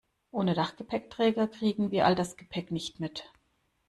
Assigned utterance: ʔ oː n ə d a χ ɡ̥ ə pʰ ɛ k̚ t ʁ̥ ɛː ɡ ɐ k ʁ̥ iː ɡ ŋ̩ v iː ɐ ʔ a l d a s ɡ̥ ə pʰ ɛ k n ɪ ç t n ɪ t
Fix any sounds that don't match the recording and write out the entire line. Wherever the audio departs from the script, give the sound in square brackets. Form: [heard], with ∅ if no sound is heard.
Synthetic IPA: ʔ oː n ə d a χ ɡ̥ ə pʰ ɛ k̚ t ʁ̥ ɛː ɡ ɐ k ʁ̥ iː ɡ ŋ̩ v iː ɐ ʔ a l d a s ɡ̥ ə pʰ ɛ k n ɪ ç t [m] ɪ t